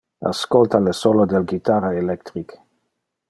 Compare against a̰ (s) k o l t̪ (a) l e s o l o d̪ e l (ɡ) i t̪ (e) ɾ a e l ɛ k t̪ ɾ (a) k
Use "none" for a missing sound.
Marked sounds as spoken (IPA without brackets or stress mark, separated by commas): s, a, ɡ, a, i